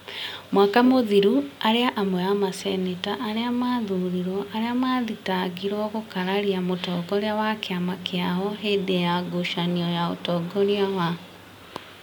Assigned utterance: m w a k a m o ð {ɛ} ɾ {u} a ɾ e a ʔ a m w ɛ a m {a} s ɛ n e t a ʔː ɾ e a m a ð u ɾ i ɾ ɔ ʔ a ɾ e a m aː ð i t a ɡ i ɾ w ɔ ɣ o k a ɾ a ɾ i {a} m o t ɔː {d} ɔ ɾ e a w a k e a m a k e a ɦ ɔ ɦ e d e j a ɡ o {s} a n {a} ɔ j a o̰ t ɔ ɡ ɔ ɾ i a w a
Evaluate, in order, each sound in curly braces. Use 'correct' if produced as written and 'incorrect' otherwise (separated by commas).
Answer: incorrect, correct, correct, correct, incorrect, incorrect, incorrect